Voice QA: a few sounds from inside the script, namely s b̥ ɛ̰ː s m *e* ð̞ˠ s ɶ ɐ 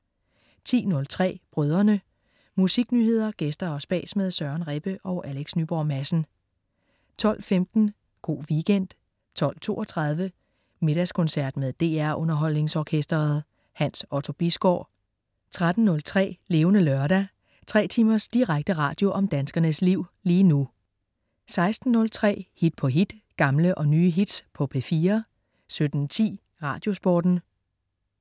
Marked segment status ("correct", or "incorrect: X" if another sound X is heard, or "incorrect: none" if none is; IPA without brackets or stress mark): correct